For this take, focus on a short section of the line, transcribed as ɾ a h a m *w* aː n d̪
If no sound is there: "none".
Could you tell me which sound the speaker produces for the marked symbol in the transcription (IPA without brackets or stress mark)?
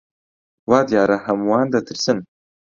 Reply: w